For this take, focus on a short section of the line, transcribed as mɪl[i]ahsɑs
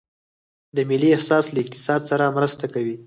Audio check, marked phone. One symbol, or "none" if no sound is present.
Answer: i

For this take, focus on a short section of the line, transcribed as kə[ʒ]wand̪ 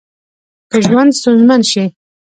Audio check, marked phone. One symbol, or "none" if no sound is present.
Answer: ʒ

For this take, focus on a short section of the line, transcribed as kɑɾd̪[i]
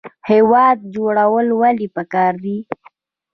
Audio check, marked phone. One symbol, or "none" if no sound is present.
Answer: i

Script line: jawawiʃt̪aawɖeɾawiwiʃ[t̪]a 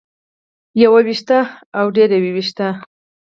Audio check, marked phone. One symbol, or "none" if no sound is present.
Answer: t̪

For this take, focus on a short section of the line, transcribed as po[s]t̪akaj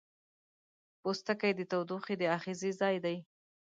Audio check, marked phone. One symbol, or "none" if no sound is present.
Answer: s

